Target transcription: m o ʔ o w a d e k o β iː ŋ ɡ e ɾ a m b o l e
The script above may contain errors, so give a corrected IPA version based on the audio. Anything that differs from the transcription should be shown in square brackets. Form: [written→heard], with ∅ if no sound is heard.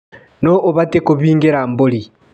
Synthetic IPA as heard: [m→n] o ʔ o [w→β] a [d→t] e k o β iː ŋ ɡ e ɾ a m b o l [e→i]